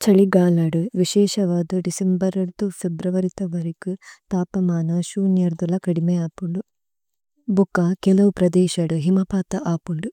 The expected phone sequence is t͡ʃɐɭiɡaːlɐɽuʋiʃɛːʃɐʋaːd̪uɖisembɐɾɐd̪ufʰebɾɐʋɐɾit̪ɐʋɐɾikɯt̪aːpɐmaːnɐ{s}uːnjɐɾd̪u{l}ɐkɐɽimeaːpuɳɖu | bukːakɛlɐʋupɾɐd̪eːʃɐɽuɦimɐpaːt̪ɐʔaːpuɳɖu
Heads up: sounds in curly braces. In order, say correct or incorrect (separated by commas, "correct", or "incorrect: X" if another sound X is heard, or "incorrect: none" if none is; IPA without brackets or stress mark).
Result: incorrect: ʃ, correct